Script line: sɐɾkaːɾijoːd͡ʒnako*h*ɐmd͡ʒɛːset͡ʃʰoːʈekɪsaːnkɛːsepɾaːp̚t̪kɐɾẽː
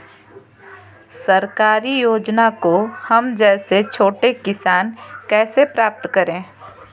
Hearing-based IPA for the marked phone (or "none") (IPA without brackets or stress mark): h